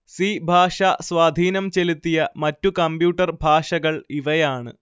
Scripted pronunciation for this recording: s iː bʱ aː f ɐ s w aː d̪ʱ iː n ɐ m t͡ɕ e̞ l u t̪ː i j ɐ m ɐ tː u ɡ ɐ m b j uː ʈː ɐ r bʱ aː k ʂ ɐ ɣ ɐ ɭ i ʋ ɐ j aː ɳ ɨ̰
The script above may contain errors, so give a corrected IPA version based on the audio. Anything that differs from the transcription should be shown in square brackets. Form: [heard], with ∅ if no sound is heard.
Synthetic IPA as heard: s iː bʱ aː [ʂ] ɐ s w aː d̪ʱ iː n ɐ m t͡ɕ e̞ l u t̪ː i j ɐ m ɐ tː u [k] ɐ m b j uː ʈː ɐ r bʱ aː [∅] ʂ ɐ ɣ ɐ ɭ i ʋ ɐ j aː ɳ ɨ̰